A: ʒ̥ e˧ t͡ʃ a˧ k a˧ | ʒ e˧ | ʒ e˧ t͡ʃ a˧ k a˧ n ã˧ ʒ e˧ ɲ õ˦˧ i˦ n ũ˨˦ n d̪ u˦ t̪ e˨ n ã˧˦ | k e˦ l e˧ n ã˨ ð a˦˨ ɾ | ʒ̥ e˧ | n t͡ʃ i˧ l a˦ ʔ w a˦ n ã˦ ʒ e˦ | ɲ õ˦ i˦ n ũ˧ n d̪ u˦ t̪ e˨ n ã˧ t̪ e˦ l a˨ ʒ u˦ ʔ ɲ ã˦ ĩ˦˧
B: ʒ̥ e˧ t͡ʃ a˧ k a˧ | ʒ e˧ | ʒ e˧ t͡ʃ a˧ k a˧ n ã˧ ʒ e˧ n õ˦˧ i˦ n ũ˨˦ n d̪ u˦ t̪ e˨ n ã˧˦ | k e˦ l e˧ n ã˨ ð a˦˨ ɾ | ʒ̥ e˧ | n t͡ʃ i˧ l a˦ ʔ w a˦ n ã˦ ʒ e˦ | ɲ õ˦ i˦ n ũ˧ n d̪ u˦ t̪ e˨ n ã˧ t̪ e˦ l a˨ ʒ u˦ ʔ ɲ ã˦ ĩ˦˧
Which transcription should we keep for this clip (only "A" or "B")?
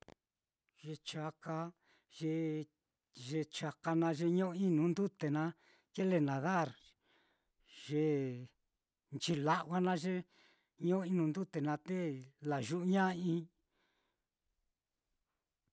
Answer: A